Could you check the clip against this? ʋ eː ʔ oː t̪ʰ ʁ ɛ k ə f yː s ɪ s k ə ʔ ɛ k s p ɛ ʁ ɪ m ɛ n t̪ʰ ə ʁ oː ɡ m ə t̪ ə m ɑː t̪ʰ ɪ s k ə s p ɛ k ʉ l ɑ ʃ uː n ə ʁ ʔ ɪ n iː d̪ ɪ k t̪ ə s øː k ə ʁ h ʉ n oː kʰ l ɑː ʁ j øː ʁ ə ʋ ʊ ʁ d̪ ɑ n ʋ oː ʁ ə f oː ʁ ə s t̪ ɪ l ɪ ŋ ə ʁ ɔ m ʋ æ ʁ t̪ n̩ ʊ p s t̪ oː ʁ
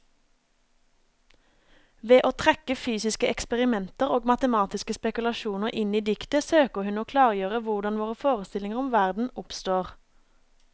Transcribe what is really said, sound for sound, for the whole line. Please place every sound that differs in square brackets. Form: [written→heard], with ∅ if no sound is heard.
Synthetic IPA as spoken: ʋ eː ʔ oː t̪ʰ ʁ ɛ k ə f yː s ɪ s k ə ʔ ɛ k s p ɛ ʁ ɪ m ɛ n [t̪ʰ→t̪] ə ʁ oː ɡ m [ə→ɑ] t̪ ə m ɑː [t̪ʰ→t̪] ɪ s k ə s p ɛ k ʉ l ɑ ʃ uː n ə ʁ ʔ ɪ n iː d̪ ɪ k t̪ ə s øː k ə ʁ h ʉ n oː kʰ l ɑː ʁ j øː ʁ ə ʋ ʊ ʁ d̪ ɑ n ʋ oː ʁ ə f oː ʁ ə s t̪ ɪ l ɪ ŋ ə ʁ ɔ m ʋ æ ʁ [t̪→d̪] n̩ ʊ p s t̪ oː ʁ